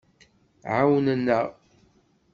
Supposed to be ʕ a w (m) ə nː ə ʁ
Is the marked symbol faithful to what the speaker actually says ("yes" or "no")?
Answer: no